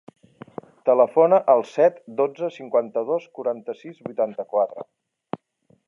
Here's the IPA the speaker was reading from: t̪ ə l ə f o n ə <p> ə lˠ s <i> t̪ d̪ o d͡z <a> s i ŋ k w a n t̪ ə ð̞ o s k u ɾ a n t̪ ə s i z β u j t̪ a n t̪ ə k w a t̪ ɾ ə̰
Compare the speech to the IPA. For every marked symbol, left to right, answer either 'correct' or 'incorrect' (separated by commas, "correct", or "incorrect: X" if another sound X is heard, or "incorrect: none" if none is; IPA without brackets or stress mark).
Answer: incorrect: ʔ, incorrect: ɛ, incorrect: ə